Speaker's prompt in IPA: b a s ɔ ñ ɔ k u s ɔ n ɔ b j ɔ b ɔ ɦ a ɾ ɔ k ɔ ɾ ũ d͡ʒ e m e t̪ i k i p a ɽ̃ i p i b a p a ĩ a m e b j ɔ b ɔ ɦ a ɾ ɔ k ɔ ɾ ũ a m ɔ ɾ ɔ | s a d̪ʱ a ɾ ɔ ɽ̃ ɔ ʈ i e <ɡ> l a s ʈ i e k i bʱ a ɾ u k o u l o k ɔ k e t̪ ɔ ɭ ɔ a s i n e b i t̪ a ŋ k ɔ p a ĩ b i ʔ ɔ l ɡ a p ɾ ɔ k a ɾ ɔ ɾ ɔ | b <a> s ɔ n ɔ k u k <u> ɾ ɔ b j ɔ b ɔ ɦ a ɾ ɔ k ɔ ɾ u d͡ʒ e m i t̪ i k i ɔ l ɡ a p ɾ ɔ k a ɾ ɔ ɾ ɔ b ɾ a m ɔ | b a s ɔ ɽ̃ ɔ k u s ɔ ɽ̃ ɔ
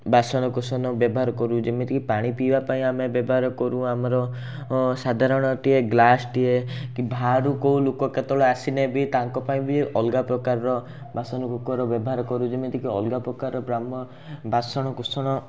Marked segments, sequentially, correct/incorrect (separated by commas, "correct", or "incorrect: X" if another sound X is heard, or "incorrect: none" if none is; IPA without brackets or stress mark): correct, correct, incorrect: ɔ